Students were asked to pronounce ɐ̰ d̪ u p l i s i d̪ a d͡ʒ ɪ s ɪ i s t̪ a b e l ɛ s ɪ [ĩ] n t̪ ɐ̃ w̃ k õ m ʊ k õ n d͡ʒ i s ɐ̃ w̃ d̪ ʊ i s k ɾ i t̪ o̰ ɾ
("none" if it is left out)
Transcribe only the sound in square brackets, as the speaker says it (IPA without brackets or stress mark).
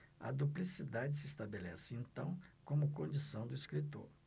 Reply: ẽ